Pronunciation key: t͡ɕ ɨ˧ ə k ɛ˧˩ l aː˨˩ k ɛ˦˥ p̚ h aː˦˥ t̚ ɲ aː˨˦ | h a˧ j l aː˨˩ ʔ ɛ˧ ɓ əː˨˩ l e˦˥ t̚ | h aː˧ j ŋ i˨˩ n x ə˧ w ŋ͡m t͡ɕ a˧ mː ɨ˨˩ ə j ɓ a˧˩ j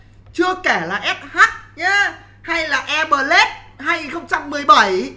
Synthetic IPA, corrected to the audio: t͡ɕ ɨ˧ ə k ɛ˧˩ l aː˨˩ ʔ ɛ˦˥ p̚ h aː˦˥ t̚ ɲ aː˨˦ | h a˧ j l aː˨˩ ʔ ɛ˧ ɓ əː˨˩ l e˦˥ t̚ | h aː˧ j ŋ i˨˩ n x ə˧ w ŋ͡m t͡ɕ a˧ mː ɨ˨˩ ə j ɓ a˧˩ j